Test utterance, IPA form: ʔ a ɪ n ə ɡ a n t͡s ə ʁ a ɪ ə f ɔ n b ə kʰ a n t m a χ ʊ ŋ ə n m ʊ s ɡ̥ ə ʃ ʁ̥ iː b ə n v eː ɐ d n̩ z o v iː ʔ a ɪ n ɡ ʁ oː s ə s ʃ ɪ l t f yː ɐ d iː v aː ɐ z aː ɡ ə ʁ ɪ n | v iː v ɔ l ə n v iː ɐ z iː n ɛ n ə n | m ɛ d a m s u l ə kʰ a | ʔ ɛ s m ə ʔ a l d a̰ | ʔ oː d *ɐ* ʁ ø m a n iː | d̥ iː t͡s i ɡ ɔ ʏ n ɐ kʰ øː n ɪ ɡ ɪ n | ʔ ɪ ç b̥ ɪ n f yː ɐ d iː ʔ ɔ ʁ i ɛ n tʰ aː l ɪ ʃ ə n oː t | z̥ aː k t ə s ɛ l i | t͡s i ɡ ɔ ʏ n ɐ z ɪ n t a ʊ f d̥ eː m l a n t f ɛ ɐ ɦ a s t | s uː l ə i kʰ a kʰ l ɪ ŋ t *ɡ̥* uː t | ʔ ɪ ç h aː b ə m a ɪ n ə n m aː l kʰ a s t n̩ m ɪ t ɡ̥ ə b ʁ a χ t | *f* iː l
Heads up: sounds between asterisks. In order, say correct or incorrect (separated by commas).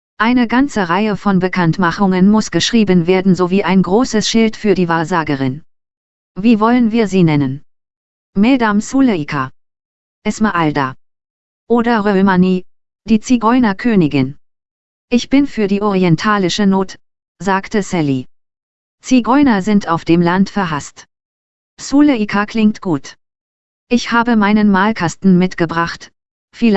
correct, correct, correct